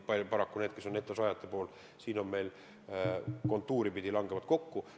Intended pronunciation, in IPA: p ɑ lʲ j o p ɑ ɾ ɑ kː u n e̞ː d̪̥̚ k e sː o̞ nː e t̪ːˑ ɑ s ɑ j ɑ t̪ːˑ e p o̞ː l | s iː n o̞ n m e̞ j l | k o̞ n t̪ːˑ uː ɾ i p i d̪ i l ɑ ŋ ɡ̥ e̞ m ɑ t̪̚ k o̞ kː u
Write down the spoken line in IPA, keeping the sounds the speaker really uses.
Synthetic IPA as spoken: p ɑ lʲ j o p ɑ ɾ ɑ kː u n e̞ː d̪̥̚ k e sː o̞ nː e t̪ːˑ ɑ s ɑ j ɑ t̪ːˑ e p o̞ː l | s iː n o̞ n m e̞ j l | k o̞ n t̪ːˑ uː ɾ i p i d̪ i l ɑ ŋ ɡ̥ e̞ m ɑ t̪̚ k o̞ kː u